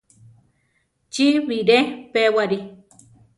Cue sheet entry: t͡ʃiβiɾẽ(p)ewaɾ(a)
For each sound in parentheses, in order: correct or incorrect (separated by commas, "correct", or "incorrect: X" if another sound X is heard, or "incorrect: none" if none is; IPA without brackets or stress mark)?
correct, incorrect: i